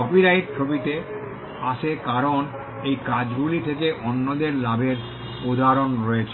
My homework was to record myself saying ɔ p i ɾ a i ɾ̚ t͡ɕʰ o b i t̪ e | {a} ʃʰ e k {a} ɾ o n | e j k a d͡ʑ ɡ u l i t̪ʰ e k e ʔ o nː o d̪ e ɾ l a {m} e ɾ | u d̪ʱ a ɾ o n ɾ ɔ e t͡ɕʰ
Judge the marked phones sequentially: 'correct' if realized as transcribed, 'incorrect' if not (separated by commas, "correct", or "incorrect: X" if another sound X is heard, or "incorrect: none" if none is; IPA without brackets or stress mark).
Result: correct, correct, incorrect: b